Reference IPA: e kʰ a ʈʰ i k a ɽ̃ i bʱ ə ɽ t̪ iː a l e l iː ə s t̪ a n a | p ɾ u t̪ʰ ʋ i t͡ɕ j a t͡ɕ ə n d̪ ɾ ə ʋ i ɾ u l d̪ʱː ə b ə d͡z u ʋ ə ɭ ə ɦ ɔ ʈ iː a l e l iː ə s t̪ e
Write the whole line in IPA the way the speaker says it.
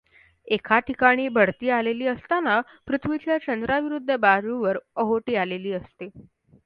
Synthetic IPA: e kʰ a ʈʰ i k a ɽ̃ iː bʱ ə ɽ t̪ iː a l e l iː ə s t̪ a n a | p ɾ u t̪ʰ ʋ i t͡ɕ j a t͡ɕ ə n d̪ ɾ a ʋ i ɾ u d̪ʱː ə b a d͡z u ʋ ə ɾ ə ɦ o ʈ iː a l e l iː ə s t̪ e